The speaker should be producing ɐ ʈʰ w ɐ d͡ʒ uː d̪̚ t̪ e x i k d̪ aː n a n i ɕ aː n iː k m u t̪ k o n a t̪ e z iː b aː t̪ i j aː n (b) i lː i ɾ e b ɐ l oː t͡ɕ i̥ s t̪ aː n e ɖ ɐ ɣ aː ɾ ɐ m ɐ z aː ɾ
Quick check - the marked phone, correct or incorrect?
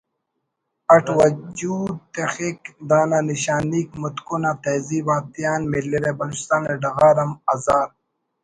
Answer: incorrect